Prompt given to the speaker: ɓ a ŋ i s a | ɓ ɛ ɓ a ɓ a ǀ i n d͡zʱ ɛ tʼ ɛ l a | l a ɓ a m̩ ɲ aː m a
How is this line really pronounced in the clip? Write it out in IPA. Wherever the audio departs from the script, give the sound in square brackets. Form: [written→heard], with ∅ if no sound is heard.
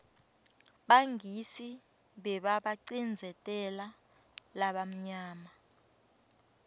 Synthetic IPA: ɓ a ŋ i s [a→i] | ɓ ɛ ɓ a ɓ a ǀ i n d͡zʱ ɛ tʼ ɛ l a | l a ɓ a m̩ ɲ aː m a